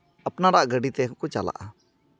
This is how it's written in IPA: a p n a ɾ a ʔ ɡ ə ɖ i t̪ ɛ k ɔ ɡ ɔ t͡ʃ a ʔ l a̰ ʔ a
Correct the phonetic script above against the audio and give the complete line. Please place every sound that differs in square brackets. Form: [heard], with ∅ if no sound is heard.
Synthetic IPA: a p n a ɾ a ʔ ɡ ə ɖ i t̪ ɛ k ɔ [k] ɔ t͡ʃ a [∅] l a̰ ʔ a